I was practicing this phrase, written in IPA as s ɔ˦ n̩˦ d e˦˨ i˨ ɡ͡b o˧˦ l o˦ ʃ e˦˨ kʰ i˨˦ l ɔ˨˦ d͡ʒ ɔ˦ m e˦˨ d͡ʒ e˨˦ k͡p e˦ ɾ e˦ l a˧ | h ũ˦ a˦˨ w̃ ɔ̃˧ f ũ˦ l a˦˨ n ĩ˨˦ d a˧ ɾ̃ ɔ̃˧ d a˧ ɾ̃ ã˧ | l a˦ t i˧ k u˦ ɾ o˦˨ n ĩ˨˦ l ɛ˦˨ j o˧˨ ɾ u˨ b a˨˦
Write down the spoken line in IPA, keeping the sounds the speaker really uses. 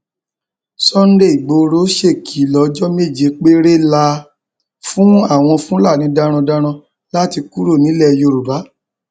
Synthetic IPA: s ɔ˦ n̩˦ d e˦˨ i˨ ɡ͡b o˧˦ ɾ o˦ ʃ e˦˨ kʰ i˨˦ l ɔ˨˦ d͡ʒ ɔ˦ m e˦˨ d͡ʒ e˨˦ k͡p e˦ ɾ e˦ l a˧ | f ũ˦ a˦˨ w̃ ɔ̃˧ f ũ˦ l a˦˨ n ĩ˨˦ d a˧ ɾ̃ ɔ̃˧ d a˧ ɾ̃ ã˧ | l a˦ t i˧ k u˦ ɾ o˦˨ n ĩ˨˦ l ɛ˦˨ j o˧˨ ɾ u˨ b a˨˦